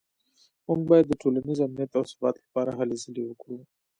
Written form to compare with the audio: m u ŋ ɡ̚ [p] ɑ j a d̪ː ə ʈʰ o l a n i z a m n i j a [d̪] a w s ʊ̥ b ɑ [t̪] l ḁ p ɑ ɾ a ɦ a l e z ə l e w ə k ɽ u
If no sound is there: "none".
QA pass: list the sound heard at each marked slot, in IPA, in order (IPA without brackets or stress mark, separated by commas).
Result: b, t̪, t̪